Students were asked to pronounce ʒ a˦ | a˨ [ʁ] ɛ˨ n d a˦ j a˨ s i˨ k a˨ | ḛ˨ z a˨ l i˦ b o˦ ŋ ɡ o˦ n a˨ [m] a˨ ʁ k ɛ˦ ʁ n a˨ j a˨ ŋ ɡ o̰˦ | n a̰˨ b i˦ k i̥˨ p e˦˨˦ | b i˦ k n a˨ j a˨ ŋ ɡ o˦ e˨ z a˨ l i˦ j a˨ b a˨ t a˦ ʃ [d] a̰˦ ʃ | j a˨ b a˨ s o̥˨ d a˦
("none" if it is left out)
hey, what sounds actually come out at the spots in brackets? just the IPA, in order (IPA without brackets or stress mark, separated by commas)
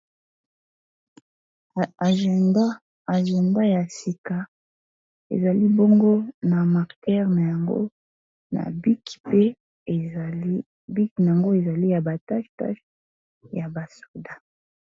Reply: ʒ, m, t